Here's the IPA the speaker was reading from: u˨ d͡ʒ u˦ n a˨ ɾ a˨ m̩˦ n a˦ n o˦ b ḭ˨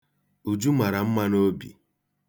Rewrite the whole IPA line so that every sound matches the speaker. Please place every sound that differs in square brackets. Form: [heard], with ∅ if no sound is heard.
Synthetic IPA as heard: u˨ d͡ʒ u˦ [m] a˨ ɾ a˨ m̩˦ [m] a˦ n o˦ b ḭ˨

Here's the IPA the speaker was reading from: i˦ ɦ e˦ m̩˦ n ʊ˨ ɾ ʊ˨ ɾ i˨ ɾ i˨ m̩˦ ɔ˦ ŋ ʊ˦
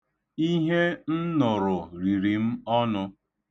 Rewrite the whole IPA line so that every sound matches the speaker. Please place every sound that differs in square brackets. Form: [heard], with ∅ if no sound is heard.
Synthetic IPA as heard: i˦ ɦ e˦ [n̩˦] n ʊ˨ ɾ ʊ˨ ɾ i˨ ɾ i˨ m̩˦ ɔ˦ [n] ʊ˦

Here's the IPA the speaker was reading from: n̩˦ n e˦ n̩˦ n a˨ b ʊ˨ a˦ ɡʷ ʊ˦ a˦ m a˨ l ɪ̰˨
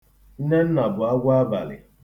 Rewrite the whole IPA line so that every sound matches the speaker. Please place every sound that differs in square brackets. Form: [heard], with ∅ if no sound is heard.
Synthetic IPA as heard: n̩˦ n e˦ n̩˦ n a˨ b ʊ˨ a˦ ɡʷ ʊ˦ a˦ [b] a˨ l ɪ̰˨

